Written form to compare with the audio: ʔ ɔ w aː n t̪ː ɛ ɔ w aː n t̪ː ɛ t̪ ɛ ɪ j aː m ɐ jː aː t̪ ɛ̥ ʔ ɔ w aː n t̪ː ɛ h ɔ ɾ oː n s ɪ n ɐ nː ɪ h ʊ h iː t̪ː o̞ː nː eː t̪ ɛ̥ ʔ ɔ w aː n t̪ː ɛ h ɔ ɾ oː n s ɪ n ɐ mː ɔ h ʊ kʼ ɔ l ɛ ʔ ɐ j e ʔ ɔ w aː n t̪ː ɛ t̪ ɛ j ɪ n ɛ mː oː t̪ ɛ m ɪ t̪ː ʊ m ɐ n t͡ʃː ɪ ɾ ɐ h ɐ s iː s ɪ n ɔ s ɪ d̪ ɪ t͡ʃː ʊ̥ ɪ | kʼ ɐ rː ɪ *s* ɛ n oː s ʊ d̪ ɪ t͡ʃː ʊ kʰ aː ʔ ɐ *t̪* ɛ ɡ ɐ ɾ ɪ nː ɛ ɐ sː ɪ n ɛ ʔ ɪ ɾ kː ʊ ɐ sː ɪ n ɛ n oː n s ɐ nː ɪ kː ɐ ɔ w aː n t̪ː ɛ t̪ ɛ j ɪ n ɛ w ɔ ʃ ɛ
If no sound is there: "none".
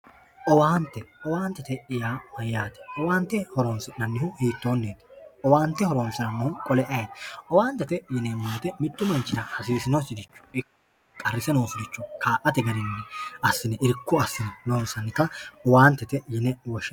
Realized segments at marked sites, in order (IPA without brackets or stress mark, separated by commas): s, t̪